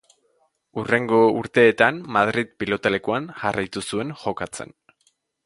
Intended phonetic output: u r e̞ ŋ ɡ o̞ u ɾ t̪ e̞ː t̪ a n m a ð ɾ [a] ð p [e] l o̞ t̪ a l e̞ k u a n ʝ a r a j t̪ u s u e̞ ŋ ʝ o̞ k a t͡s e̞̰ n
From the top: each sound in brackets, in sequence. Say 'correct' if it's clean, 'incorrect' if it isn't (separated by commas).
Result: incorrect, incorrect